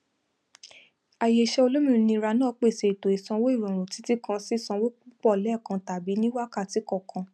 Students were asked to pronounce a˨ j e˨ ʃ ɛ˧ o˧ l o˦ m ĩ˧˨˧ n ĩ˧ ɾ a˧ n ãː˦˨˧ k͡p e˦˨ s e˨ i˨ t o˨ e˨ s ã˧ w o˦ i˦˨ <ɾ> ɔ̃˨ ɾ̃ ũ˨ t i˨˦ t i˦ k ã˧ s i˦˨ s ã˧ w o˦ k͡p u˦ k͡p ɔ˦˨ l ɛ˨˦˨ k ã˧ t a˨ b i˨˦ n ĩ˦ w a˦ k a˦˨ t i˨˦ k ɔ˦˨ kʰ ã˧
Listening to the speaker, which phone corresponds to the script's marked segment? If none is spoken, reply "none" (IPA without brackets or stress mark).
ɾ